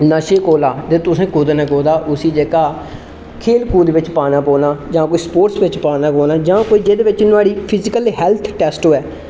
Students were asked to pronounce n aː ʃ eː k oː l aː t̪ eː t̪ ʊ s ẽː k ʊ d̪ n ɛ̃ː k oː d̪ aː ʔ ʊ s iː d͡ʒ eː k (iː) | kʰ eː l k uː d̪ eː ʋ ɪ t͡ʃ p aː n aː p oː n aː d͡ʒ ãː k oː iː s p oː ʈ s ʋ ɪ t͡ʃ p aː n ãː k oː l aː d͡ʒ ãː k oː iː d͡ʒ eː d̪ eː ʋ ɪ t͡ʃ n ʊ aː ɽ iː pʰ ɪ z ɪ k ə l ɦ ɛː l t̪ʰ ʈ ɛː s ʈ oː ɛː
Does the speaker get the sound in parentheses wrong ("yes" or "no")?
yes